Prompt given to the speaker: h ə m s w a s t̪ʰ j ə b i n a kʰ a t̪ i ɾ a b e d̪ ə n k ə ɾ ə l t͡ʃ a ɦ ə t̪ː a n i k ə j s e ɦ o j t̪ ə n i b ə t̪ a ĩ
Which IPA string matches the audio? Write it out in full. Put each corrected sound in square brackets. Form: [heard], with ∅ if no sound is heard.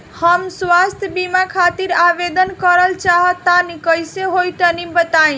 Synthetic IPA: h ə m s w a s t̪ʰ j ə b i [m] a kʰ a t̪ i ɾ a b e d̪ ə n k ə ɾ ə l t͡ʃ a ɦ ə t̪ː a n i k ə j s e ɦ o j t̪ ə n i b ə t̪ a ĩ